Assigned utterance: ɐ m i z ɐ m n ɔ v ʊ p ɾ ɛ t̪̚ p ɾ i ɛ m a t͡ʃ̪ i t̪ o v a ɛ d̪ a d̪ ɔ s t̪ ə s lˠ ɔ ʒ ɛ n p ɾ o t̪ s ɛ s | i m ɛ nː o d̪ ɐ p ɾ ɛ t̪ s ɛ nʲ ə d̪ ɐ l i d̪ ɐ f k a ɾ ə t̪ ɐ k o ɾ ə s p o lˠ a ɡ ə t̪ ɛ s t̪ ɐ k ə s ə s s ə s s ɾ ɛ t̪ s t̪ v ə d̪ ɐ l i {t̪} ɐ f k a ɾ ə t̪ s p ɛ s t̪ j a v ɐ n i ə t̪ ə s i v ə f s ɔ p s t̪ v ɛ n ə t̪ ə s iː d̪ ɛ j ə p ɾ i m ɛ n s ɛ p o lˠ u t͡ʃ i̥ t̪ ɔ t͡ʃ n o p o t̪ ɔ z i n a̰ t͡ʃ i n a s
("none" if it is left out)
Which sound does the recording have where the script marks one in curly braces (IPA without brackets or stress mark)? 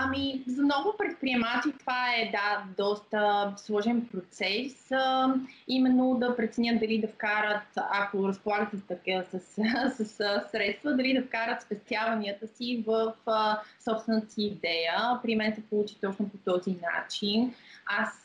d̪